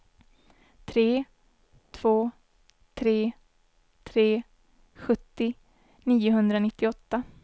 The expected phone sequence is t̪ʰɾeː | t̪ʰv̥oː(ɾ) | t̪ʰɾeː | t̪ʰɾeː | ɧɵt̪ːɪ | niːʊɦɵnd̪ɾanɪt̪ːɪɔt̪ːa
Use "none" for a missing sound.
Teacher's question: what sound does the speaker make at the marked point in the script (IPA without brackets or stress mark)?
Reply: none